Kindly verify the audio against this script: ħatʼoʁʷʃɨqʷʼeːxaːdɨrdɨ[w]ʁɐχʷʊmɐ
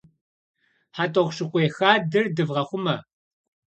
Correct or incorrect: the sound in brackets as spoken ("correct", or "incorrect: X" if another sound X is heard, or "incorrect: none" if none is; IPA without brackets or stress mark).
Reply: incorrect: v